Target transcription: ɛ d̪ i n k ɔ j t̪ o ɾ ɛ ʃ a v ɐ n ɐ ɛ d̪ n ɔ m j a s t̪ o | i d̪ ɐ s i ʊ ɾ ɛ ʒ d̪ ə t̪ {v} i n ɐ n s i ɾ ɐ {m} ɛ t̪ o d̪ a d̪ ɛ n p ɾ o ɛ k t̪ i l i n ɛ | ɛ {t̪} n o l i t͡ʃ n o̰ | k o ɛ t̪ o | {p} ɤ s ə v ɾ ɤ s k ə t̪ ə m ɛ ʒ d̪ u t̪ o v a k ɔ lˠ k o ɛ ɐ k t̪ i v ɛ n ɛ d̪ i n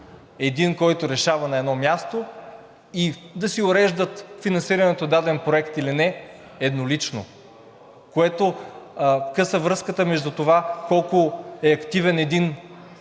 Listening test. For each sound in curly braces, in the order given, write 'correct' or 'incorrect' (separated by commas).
incorrect, incorrect, incorrect, incorrect